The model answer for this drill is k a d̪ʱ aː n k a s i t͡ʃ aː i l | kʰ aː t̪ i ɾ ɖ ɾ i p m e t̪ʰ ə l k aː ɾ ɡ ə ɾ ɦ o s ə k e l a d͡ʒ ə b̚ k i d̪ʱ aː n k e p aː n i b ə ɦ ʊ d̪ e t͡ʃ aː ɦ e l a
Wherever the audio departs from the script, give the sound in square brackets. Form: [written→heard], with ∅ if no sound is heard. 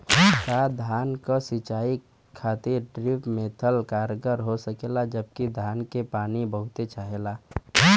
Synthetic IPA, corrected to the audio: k a d̪ʱ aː n k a s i t͡ʃ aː i [l→∅] | kʰ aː t̪ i ɾ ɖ ɾ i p m e t̪ʰ ə l k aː ɾ ɡ ə ɾ ɦ o s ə k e l a d͡ʒ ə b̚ k i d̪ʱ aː n k e p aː n i b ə ɦ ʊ [d̪→t̪] e t͡ʃ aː ɦ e l a